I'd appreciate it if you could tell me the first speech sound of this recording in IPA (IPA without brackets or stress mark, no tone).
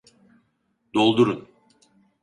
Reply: d̪